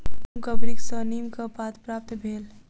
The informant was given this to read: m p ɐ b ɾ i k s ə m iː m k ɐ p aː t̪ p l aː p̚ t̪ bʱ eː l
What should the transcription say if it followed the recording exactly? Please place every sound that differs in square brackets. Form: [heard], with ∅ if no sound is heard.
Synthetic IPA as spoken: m [k] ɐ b ɾ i k s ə [n] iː m k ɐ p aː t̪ p [ɾ] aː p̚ t̪ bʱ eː l